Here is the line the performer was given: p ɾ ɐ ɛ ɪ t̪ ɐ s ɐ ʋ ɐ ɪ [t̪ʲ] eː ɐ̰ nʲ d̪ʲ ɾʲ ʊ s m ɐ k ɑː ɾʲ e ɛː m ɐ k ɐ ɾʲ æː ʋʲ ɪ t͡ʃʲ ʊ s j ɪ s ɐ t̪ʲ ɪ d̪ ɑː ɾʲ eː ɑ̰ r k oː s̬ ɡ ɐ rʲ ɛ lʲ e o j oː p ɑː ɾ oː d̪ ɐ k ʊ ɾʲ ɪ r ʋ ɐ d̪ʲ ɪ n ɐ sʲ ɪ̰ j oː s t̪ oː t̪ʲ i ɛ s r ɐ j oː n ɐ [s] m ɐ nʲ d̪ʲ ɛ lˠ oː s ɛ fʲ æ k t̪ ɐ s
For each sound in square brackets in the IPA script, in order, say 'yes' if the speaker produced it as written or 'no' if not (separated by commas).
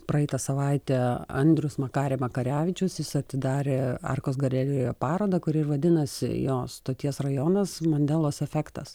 yes, yes